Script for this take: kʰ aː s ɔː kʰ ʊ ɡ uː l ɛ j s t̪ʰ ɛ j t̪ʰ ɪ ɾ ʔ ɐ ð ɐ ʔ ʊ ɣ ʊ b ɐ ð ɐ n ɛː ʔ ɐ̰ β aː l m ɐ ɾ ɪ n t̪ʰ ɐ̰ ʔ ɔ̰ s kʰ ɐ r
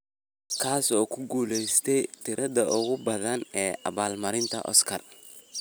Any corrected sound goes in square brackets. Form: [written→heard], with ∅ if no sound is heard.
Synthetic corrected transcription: kʰ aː s ɔː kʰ ʊ ɡ uː l ɛ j s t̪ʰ ɛ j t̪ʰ ɪ ɾ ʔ ɐ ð ɐ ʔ ʊ ɣ ʊ b ɐ ð ɐ n ɛː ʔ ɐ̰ β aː l m ɐ ɾ ɪ n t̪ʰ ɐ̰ ʔ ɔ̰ s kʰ ɐ r